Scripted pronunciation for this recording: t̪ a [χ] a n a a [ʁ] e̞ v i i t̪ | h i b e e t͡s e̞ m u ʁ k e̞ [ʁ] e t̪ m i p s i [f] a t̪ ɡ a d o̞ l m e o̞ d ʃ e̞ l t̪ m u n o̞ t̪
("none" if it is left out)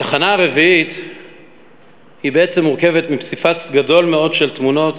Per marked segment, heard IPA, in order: χ, ʁ, v, f

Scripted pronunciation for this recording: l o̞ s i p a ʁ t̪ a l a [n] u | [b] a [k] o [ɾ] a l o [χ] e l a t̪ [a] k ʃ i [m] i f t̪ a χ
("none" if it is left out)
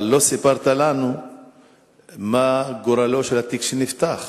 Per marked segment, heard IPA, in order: n, m, ɡ, ɾ, ʃ, i, n

